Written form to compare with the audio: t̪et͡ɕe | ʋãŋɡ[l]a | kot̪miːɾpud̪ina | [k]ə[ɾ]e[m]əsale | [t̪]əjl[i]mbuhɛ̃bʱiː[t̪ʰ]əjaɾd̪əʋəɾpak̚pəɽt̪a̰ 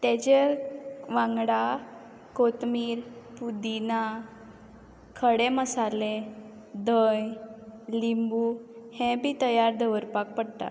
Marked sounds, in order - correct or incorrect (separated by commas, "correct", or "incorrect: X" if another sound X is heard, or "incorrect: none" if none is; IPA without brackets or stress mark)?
incorrect: ɽ, incorrect: kʰ, incorrect: ɽ, correct, incorrect: d̪, correct, incorrect: t̪